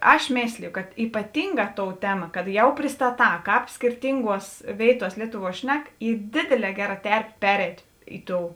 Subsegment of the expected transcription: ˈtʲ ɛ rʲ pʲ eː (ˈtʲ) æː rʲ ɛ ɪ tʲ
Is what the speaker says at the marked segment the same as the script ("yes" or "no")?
no